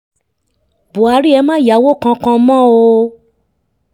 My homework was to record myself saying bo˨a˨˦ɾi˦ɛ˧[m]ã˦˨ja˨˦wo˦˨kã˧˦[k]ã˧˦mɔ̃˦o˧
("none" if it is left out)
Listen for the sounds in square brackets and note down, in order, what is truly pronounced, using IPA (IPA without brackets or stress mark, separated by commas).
m, k